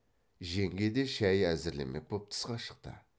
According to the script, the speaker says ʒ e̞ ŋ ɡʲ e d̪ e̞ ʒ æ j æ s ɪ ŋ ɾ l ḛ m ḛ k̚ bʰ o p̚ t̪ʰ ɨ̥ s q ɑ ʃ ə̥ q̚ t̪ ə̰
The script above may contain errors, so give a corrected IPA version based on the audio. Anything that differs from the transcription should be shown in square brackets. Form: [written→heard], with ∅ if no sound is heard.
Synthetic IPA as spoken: ʒ e̞ ŋ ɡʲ e d̪ e̞ [ʒ→ʃ] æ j æ [s→z] ɪ [ŋ→∅] ɾ l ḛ m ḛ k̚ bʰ o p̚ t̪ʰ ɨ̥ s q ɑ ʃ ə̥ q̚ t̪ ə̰